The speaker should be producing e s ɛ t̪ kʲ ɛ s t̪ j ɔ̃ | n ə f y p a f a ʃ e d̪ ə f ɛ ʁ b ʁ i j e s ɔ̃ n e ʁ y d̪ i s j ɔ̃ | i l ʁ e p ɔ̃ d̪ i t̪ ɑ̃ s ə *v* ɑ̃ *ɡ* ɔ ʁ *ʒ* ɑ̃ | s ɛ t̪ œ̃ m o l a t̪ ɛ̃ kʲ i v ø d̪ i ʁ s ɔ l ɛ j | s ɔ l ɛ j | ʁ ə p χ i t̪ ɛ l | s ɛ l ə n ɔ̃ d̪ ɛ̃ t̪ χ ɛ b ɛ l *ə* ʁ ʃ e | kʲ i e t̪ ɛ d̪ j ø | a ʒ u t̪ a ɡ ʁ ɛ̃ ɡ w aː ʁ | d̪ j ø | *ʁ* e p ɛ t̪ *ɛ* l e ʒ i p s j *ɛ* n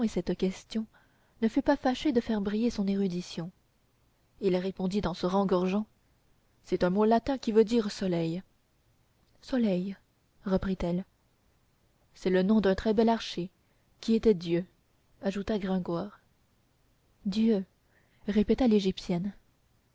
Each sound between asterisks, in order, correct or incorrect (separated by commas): incorrect, correct, correct, incorrect, correct, incorrect, correct